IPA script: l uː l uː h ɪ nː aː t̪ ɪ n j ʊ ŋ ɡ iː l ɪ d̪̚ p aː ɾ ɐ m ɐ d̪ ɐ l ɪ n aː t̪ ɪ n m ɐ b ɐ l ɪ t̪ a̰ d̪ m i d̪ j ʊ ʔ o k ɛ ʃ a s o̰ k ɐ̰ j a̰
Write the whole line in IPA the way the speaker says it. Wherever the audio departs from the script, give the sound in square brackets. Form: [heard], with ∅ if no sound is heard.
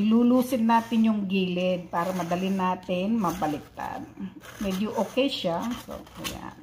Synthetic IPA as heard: l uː l uː [s] ɪ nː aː t̪ ɪ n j ʊ ŋ ɡ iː l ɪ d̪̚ p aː ɾ ɐ m ɐ d̪ ɐ l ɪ n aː t̪ ɪ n m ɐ b ɐ l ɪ t̪ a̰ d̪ m [ɛ] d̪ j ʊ ʔ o k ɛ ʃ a s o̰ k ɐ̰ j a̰